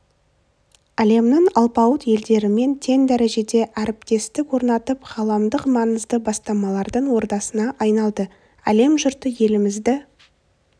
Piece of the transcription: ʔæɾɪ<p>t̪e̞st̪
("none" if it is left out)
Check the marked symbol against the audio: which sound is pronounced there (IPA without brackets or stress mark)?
p